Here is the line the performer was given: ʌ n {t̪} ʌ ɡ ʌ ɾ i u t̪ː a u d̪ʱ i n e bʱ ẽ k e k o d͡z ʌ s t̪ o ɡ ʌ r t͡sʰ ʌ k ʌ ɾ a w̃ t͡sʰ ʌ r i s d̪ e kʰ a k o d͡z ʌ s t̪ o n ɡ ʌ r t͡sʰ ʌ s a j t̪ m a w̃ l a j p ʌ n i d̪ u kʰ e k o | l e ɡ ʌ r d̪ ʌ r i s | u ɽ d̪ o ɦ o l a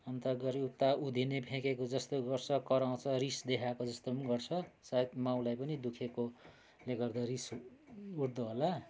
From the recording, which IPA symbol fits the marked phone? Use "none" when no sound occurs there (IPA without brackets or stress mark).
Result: t̪